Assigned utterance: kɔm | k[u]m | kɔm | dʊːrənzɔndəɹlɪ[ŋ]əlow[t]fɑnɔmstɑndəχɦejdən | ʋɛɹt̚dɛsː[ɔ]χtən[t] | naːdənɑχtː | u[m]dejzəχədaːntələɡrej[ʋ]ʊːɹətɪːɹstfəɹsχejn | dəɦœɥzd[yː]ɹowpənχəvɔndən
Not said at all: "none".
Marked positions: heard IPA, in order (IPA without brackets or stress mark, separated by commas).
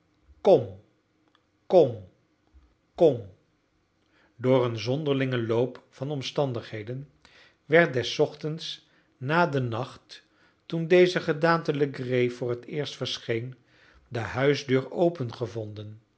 ɔ, ŋ, p, ɔ, s, n, v, øː